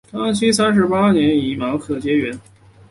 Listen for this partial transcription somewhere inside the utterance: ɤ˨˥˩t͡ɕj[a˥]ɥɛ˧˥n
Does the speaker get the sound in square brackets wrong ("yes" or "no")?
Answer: yes